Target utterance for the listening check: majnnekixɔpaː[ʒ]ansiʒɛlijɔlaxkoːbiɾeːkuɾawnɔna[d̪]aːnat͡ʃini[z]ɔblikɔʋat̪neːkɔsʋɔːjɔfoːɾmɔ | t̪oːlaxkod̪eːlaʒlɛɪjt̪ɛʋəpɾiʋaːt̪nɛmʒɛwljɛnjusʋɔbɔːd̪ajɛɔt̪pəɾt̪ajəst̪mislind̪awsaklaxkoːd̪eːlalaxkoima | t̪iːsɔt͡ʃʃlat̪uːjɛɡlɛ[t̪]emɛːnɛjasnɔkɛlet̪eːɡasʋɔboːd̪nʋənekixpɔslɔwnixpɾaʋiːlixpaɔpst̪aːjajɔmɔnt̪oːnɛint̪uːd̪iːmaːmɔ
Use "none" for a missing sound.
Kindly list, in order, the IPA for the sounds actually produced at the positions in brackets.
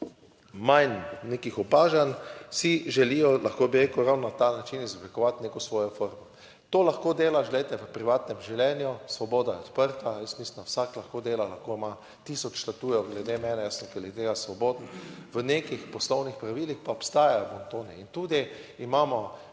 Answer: ʒ, t̪, z, d̪

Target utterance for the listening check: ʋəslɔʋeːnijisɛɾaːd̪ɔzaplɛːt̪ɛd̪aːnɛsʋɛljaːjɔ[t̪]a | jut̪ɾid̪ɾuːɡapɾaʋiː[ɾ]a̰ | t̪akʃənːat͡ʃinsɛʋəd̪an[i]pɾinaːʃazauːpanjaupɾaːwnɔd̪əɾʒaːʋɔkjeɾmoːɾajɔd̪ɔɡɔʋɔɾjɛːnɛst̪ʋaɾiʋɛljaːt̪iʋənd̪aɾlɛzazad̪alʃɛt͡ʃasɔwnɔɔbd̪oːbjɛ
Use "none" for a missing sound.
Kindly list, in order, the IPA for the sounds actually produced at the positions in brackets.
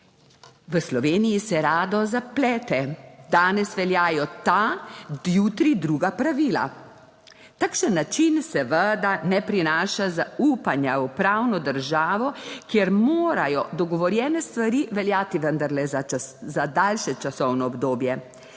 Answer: t̪, l, ɛ

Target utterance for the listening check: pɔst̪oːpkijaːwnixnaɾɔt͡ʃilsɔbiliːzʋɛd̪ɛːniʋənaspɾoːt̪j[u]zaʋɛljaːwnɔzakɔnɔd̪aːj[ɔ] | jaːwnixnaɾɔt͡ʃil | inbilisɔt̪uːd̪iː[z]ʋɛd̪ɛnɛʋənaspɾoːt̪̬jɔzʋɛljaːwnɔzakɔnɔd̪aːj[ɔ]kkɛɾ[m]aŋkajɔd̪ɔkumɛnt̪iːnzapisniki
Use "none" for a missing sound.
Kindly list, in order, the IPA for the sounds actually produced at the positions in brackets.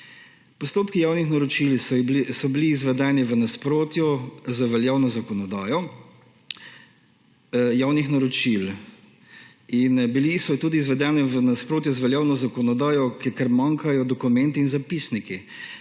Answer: ɔ, ɔ, z, ɔ, m

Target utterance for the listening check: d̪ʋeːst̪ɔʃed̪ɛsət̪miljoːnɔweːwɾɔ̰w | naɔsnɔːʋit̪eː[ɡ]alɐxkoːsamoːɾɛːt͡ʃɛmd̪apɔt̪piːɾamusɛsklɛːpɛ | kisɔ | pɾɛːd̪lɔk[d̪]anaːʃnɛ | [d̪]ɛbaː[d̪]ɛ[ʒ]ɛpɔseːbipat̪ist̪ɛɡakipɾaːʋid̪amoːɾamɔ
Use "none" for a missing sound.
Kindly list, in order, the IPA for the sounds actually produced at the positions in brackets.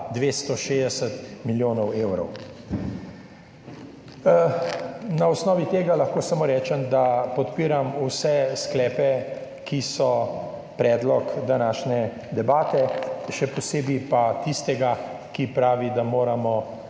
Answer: ɡ, d̪, d̪, t̪, ʃ

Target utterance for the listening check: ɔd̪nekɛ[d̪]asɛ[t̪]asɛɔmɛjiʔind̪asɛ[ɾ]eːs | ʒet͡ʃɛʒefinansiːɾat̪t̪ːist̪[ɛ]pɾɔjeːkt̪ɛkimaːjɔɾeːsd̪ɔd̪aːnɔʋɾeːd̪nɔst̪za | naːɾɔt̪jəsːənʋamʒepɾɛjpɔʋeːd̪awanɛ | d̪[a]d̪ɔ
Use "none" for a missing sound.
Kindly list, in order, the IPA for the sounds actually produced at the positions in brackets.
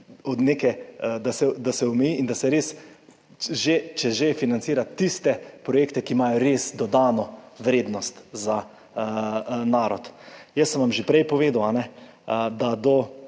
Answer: d̪, d̪, ɾ, ɛ, a

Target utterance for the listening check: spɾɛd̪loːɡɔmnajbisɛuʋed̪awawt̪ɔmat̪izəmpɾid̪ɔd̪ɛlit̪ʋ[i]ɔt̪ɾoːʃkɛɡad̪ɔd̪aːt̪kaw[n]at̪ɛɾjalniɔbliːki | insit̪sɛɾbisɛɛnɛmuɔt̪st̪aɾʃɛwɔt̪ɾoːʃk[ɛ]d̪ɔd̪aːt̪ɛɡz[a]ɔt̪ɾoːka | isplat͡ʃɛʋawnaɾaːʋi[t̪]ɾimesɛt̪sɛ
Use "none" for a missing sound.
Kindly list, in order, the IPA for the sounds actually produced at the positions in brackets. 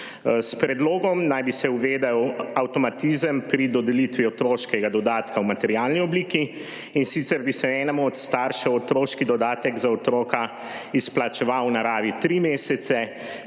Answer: i, m, i, a, t̪

